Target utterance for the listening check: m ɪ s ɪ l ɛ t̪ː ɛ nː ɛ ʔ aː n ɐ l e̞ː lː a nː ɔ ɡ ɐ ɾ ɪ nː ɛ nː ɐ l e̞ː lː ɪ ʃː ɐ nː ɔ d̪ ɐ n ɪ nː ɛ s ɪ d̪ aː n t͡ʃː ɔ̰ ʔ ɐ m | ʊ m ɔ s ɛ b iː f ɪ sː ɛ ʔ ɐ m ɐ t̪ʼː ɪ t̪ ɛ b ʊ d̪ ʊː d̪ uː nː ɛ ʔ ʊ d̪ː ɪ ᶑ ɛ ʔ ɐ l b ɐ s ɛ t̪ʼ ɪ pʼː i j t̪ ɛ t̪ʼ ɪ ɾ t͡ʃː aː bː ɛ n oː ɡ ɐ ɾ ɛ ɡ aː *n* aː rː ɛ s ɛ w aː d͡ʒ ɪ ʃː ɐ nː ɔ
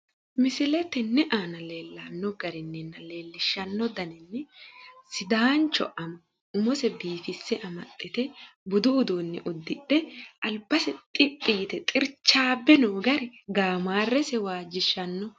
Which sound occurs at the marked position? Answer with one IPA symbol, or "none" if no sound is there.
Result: m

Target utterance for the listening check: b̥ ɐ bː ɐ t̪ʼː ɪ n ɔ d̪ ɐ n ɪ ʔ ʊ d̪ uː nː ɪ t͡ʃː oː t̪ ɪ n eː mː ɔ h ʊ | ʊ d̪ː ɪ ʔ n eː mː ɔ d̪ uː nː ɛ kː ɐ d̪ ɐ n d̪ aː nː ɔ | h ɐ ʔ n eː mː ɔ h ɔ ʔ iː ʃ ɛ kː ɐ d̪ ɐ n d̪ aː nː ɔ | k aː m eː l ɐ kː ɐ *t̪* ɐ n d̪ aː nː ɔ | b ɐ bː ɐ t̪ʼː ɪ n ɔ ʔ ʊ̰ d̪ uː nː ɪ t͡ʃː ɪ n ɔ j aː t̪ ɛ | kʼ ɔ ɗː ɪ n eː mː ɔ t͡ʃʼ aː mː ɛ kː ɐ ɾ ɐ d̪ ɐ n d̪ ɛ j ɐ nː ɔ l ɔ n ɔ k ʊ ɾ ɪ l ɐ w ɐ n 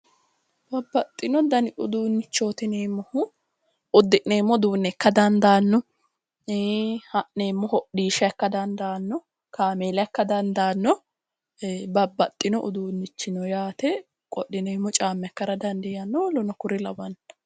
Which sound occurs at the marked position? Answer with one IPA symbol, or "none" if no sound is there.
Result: d̪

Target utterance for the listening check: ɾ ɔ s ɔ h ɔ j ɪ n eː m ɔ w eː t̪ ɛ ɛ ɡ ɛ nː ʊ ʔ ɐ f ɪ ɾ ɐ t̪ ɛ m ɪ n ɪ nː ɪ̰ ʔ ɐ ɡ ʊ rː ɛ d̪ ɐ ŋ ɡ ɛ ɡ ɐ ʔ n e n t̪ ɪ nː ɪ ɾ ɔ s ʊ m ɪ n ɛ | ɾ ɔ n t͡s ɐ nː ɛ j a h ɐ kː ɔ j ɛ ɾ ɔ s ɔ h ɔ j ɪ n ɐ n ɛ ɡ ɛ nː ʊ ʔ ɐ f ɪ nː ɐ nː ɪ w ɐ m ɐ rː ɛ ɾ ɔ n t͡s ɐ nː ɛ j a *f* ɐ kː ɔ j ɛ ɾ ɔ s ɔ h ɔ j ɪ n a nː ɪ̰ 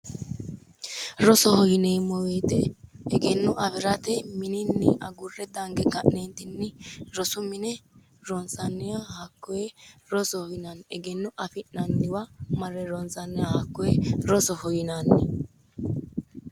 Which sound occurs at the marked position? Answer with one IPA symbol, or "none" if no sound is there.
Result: h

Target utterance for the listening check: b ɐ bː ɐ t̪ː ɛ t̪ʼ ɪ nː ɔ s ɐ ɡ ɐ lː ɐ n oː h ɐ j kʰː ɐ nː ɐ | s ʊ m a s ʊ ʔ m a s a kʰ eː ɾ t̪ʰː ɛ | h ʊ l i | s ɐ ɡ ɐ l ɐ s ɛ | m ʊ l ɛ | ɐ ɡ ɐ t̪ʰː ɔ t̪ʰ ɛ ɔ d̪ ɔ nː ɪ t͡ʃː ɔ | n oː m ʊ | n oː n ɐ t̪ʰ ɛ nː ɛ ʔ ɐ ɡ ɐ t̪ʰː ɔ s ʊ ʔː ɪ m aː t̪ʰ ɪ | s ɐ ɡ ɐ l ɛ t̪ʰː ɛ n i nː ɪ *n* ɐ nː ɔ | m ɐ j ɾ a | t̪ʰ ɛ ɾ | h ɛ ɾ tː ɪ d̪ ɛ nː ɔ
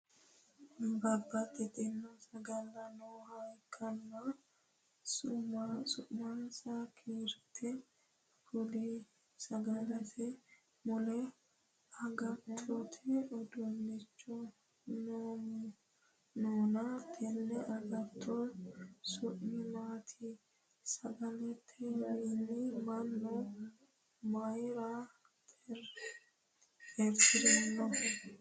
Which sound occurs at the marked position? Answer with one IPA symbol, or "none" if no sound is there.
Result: m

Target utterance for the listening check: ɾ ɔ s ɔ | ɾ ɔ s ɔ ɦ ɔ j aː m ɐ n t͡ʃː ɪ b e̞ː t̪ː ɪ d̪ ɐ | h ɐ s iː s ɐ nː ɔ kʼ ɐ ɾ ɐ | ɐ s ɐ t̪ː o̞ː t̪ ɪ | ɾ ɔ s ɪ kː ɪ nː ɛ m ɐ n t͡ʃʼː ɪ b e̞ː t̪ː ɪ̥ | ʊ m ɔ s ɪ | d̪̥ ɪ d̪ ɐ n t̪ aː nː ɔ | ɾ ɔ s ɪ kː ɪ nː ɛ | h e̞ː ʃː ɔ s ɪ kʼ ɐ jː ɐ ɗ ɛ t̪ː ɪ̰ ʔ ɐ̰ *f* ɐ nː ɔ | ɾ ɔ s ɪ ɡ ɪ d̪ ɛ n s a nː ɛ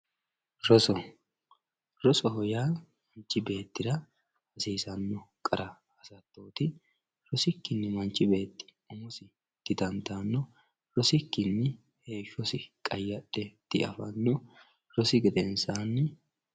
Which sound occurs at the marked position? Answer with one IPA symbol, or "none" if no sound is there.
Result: f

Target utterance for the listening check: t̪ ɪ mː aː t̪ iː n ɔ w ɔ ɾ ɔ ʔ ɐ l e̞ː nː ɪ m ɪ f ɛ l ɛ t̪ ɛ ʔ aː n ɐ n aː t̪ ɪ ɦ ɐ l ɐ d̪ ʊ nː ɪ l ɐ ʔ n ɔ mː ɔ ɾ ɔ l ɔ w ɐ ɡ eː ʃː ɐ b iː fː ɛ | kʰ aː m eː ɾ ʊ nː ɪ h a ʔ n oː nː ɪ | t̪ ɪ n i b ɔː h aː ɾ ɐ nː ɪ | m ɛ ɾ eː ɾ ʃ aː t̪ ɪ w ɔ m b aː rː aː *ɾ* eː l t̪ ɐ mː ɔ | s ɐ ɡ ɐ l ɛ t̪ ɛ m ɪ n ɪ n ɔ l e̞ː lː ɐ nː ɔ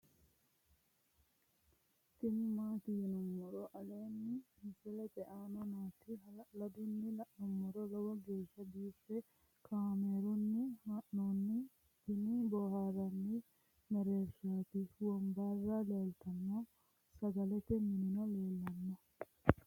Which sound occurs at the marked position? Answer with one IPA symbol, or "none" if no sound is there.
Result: l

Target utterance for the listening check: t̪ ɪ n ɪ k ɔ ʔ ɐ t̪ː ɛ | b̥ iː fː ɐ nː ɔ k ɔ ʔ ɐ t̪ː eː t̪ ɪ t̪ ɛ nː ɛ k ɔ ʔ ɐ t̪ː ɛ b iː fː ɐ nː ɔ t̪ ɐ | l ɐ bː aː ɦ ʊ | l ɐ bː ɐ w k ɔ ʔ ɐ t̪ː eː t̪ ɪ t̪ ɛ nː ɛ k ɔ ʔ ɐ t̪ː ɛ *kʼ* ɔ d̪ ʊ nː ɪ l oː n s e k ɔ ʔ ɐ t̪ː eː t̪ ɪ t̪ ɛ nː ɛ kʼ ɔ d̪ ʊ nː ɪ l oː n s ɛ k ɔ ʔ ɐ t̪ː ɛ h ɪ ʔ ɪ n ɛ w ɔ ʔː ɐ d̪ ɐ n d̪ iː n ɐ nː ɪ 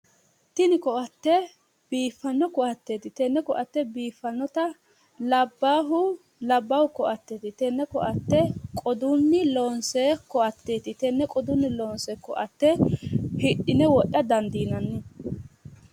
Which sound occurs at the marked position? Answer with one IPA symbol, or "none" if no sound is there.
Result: kʼ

